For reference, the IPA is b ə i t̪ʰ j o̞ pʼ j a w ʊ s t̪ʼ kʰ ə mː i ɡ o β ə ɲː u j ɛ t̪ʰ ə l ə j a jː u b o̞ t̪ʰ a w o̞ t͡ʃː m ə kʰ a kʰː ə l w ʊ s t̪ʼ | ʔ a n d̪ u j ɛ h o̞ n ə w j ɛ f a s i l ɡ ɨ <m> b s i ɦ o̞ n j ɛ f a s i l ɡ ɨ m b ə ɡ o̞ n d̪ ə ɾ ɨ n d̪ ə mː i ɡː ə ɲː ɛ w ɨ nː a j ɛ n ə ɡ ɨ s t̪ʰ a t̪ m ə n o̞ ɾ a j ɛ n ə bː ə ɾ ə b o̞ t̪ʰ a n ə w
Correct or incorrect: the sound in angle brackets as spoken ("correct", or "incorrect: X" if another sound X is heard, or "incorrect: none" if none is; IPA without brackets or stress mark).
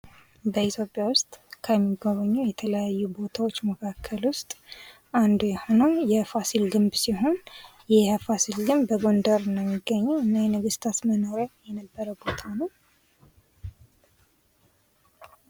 correct